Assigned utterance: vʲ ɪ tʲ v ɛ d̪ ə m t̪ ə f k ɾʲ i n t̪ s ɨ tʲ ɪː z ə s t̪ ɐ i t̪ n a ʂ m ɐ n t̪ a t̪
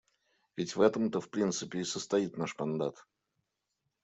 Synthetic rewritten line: vʲ ɪ tʲ v ɛ t̪ ə m t̪ ə f p ɾʲ i n t̪ s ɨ pʲ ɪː s ə s t̪ ɐ i t̪ n a ʂ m ɐ n d̪ a t̪